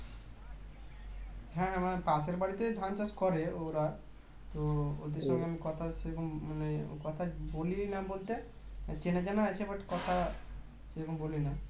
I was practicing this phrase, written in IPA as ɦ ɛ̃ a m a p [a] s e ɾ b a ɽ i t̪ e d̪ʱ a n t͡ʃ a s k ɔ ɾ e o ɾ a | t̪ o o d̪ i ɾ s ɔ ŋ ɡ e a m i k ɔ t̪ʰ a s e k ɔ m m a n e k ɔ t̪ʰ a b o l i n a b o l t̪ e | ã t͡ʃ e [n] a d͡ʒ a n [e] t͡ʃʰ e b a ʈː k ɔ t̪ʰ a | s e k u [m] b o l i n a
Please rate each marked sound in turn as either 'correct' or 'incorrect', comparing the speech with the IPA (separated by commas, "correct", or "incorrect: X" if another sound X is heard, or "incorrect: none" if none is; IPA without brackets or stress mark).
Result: correct, correct, incorrect: a, correct